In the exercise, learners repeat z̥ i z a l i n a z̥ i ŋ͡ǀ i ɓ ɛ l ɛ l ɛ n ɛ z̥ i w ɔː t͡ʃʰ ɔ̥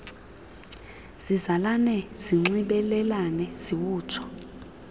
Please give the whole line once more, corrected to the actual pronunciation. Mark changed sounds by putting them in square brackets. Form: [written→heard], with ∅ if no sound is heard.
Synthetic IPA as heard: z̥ i z a l [i→a] n [a→ɛ] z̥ i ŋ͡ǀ i ɓ ɛ l ɛ l [ɛ→a] n ɛ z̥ i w [ɔː→uː] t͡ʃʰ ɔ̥